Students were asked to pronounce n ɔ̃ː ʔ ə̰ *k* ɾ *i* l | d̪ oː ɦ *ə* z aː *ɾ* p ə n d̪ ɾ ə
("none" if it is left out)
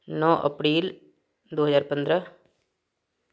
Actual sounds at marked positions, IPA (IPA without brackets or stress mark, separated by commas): p, iː, ə, ɾ